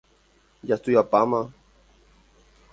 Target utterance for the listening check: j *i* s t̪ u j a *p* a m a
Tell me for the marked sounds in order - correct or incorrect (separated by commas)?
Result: incorrect, correct